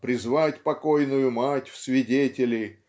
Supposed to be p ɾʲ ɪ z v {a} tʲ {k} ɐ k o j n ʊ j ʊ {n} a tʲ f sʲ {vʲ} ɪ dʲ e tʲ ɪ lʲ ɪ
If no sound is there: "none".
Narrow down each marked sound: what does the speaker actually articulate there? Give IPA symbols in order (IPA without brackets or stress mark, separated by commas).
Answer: a, p, m, vʲ